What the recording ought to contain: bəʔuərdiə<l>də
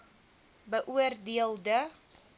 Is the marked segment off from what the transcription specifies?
no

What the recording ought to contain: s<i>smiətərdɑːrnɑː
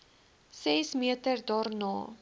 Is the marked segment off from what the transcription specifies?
yes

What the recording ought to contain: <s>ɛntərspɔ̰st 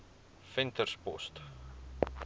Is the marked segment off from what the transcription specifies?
yes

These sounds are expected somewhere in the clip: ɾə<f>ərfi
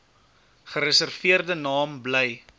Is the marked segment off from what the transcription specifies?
yes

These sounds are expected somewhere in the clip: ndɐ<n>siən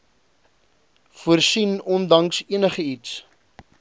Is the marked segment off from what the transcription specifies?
yes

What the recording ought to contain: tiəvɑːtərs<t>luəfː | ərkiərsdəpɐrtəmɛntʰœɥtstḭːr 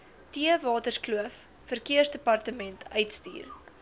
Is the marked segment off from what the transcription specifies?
yes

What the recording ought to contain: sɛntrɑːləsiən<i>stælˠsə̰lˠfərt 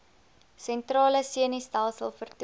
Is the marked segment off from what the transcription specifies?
no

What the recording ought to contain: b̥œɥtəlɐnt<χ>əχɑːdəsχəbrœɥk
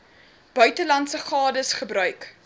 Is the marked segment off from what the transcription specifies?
yes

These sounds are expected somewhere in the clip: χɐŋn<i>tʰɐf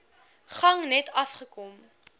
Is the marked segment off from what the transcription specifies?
yes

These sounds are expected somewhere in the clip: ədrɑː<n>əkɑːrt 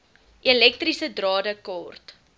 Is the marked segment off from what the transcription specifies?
yes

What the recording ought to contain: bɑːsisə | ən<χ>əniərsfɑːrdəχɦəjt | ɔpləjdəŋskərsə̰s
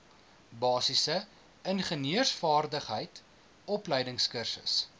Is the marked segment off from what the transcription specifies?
no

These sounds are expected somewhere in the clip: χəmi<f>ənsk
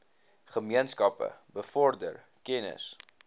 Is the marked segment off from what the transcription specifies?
yes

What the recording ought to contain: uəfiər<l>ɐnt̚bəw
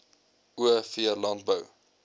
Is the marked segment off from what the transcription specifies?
no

